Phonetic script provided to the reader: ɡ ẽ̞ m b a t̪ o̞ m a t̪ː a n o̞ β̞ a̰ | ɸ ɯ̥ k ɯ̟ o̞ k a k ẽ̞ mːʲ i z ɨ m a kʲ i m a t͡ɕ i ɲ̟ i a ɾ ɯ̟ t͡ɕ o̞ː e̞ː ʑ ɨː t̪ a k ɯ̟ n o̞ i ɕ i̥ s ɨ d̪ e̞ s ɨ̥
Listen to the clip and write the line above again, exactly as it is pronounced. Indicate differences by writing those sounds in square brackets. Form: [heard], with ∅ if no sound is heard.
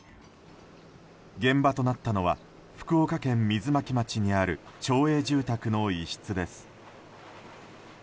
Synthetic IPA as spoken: ɡ ẽ̞ m b a t̪ o̞ [n] a t̪ː a n o̞ β̞ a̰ | ɸ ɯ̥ k ɯ̟ o̞ k a k ẽ̞ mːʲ i z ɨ m a kʲ i m a t͡ɕ i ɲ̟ i a ɾ ɯ̟ t͡ɕ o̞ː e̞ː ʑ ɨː t̪ a k ɯ̟ n o̞ i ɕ i̥ [t͡s] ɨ d̪ e̞ s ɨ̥